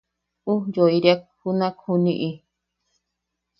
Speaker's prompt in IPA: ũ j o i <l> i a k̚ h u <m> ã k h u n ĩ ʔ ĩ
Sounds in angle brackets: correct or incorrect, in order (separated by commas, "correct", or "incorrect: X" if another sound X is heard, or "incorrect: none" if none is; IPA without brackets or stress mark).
incorrect: ɾ, incorrect: n